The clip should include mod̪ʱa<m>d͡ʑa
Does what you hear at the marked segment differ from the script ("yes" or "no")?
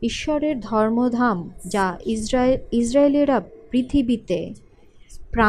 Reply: no